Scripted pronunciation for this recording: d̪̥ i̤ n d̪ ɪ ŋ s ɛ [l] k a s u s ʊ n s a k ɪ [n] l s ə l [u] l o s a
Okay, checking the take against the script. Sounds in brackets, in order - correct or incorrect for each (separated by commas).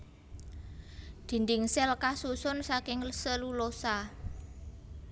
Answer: correct, incorrect, correct